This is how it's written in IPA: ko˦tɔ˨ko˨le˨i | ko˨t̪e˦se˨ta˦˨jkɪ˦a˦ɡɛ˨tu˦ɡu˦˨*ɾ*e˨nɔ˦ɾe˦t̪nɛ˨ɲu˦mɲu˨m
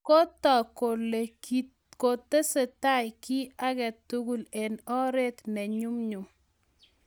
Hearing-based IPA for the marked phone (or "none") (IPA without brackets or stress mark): l